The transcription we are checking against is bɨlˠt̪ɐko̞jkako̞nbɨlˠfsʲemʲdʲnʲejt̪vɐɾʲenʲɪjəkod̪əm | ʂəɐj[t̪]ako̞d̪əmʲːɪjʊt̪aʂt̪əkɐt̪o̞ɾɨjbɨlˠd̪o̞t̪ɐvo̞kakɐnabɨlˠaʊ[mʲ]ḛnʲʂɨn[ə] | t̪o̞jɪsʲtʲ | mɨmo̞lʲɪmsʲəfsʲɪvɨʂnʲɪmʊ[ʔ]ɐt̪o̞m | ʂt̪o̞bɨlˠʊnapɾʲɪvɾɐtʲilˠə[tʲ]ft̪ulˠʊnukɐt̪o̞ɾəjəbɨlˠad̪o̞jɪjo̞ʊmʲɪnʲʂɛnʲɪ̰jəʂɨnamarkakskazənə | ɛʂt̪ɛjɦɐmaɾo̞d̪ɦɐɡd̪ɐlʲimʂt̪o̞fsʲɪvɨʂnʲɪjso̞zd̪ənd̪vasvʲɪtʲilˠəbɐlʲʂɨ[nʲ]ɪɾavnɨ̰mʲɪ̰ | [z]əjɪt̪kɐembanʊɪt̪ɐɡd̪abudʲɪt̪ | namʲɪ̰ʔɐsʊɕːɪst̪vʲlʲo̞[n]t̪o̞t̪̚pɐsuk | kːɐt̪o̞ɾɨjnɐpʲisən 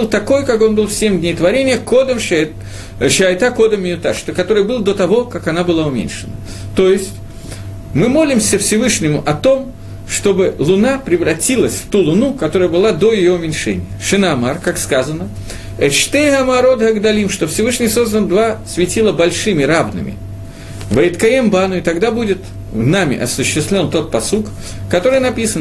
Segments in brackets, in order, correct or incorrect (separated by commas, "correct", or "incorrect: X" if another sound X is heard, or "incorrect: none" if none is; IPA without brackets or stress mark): correct, correct, correct, correct, incorrect: sʲ, incorrect: mʲ, incorrect: v, correct